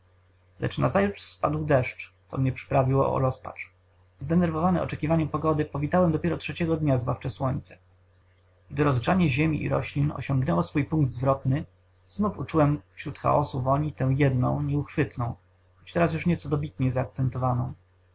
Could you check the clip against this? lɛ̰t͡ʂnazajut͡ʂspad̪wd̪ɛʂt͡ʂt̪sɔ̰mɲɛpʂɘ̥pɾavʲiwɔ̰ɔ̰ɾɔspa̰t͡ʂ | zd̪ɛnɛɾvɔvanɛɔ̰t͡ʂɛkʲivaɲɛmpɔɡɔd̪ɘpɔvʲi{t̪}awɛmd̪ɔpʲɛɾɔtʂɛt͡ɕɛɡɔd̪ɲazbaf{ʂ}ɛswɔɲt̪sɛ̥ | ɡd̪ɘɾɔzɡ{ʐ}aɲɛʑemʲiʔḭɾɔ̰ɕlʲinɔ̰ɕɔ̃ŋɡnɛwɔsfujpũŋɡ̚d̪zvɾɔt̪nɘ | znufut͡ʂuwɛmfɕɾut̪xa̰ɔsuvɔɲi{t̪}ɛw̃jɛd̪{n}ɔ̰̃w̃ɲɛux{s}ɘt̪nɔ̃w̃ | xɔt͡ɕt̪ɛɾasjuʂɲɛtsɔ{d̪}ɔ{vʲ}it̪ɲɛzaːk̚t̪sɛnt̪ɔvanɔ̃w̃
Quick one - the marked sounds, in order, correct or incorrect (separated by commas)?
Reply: correct, incorrect, correct, correct, correct, incorrect, correct, incorrect